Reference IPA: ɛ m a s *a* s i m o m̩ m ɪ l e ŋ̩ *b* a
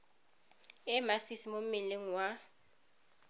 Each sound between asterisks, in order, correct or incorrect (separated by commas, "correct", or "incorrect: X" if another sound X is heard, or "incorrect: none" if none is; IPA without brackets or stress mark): incorrect: i, incorrect: w